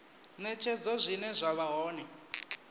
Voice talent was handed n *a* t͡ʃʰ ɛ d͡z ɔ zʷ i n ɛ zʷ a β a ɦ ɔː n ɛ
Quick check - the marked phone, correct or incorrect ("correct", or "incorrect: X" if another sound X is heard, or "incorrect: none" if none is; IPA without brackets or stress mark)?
incorrect: ɛ